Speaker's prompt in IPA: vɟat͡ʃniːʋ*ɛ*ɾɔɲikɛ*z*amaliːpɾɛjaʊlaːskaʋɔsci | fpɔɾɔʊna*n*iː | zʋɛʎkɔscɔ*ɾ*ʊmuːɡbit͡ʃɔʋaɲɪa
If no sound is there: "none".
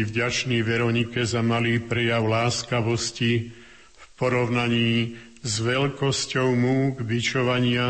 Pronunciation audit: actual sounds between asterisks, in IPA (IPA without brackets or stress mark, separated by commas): ɛ, z, ɲ, none